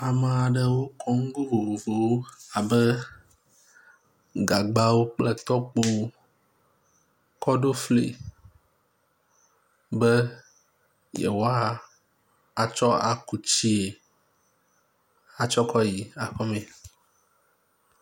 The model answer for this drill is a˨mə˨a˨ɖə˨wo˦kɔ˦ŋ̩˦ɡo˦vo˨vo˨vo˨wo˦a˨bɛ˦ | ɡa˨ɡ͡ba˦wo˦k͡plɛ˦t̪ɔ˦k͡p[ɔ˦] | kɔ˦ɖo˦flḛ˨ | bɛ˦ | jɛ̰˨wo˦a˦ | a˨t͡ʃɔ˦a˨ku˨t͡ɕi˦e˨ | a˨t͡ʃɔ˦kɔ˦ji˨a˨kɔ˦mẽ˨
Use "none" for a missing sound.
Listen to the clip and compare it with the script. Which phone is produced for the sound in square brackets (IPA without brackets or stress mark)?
o˦